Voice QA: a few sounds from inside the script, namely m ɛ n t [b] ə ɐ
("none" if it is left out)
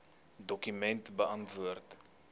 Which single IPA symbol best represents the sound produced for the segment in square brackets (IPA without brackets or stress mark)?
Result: b